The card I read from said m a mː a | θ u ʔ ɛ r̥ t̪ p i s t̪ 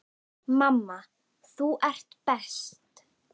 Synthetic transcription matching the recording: m a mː a | θ u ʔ ɛ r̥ t̪ p ɛ s t̪